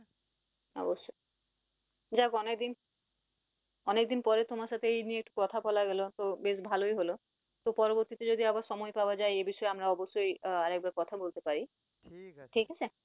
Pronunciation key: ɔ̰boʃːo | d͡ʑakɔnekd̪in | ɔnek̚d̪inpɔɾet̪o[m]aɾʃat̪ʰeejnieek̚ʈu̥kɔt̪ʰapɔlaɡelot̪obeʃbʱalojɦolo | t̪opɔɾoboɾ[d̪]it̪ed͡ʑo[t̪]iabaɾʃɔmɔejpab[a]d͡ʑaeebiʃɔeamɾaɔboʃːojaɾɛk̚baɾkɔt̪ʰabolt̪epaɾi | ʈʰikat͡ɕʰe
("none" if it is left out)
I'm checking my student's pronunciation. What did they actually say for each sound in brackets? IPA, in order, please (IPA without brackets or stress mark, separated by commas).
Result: m, t̪, d̪, a